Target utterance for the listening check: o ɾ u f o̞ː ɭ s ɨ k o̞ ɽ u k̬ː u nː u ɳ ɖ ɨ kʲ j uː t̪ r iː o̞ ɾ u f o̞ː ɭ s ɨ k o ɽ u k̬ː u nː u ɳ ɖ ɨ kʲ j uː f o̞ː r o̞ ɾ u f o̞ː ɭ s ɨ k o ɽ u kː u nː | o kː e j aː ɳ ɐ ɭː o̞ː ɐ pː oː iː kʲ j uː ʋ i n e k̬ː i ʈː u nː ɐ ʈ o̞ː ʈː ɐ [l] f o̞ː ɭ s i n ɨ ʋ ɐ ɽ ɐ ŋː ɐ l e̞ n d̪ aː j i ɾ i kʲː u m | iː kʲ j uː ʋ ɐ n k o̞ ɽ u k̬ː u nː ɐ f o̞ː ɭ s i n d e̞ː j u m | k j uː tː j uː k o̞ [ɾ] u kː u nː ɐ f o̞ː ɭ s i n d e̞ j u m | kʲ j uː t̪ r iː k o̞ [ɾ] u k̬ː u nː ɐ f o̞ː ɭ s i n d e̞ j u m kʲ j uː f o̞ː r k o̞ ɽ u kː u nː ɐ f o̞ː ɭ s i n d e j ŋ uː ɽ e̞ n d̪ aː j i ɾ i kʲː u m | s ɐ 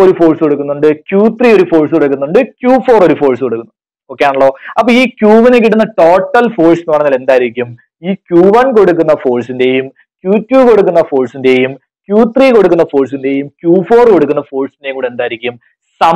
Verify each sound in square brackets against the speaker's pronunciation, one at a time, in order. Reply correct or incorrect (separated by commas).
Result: correct, incorrect, incorrect